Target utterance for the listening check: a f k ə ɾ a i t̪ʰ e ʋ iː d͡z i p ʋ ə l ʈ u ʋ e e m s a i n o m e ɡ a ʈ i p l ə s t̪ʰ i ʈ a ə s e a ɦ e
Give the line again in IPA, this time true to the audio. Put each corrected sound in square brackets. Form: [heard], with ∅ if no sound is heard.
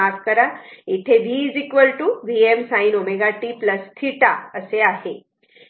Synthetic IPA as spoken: a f k ə ɾ a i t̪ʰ e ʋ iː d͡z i [k] ʋ ə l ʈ u ʋ [i] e m s a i n o m e ɡ a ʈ i p l ə s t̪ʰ i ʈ a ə s e a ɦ e

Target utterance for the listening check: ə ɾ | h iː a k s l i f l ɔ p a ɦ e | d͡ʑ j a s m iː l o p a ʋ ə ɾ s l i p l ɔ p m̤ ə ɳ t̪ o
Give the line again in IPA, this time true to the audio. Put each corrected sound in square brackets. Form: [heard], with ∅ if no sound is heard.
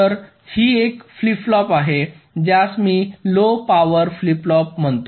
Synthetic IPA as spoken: ə ɾ | h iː [e] k [f] l i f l ɔ p a ɦ e | d͡ʑ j a s m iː l o p a ʋ ə ɾ [f] l i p l ɔ p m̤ ə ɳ t̪ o

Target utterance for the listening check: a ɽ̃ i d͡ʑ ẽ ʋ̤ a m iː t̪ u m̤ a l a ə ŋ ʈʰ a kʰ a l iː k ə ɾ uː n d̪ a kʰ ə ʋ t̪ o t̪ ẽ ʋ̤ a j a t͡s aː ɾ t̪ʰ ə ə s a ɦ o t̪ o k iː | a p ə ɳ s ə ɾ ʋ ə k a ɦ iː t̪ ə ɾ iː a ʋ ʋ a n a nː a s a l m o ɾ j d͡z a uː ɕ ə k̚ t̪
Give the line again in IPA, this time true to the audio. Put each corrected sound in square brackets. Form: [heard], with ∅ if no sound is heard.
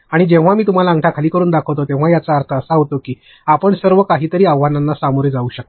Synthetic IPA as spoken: a ɽ̃ i d͡ʑ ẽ ʋ̤ a m iː t̪ u m̤ a l a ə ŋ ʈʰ a kʰ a l iː k ə ɾ uː n d̪ a kʰ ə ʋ t̪ o t̪ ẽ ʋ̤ a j a t͡s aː ɾ t̪ʰ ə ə s a ɦ o t̪ o k iː | a p ə ɳ s ə ɾ ʋ ə k a ɦ iː t̪ ə ɾ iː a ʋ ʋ a n a nː a s a [∅] m o ɾ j d͡z a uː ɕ ə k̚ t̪

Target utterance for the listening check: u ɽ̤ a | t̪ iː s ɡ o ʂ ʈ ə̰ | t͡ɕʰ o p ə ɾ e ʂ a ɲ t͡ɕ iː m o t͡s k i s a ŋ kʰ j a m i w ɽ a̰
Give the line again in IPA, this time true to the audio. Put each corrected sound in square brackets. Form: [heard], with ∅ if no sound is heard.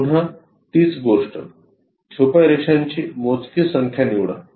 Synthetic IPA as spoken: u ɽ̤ a | t̪ iː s ɡ o ʂ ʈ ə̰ | t͡ɕʰ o p [a] ɾ e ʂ a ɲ t͡ɕ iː m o t͡s k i s [ə] ŋ kʰ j a [n] i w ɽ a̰

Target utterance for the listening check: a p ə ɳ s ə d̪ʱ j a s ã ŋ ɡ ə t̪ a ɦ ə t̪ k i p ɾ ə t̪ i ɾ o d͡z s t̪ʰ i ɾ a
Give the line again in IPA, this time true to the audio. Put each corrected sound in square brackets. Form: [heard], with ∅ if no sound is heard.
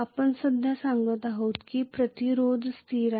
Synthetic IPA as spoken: a p ə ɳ s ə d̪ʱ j a s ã ŋ ɡ ə t̪ a ɦ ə t̪ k i p ɾ ə t̪ i ɾ o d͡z s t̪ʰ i ɾ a

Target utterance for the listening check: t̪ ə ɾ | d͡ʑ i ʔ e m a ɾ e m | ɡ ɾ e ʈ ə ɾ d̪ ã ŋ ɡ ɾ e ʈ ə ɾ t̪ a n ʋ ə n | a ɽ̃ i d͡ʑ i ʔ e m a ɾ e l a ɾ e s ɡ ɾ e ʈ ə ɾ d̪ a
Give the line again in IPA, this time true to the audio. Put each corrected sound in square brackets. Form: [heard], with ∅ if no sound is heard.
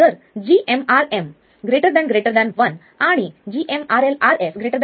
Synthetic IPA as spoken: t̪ ə ɾ | d͡ʑ i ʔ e m a ɾ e m | ɡ ɾ e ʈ ə ɾ d̪ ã [n] ɡ ɾ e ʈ ə ɾ [d̪] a n ʋ ə n | a ɽ̃ i d͡ʑ i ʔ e m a ɾ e l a ɾ e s ɡ ɾ e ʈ ə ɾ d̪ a

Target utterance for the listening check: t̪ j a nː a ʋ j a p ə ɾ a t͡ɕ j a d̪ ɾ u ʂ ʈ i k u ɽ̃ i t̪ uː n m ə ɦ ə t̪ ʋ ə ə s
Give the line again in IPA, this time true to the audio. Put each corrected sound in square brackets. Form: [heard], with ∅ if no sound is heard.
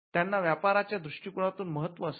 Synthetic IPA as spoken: t̪ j a nː a ʋ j a p [a] ɾ a t͡ɕ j a d̪ ɾ u ʂ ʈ i k u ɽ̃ [a] t̪ uː n m ə ɦ ə t̪ ʋ ə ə s

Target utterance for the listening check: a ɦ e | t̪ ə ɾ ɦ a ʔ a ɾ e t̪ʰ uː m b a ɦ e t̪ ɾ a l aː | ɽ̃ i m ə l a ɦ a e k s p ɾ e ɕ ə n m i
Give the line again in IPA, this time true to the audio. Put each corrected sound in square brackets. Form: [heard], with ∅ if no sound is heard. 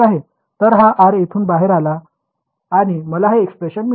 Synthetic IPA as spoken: a ɦ e | t̪ ə ɾ ɦ a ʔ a ɾ e t̪ʰ uː [n] b a ɦ e [∅] ɾ a l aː | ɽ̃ i m ə l a ɦ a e k s p ɾ e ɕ ə n m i

